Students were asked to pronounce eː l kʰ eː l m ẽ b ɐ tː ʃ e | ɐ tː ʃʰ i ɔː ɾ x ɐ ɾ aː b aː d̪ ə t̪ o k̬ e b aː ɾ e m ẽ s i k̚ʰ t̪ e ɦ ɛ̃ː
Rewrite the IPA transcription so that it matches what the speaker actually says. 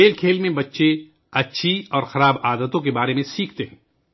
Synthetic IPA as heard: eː l kʰ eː l m ẽ b ɐ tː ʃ e | ɐ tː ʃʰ i ɔː ɾ x ɐ ɾ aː b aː d̪ ə t̪ õ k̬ e b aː ɾ e m ẽ s iː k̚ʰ t̪ e ɦ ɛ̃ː